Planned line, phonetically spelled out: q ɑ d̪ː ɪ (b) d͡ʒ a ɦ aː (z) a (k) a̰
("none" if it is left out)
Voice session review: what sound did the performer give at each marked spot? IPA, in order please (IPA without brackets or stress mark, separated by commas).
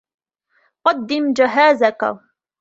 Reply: m, z, k